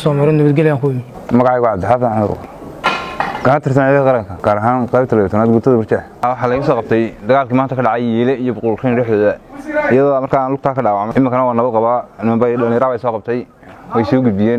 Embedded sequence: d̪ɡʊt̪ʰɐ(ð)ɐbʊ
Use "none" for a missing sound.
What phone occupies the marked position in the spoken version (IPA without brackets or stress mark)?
ð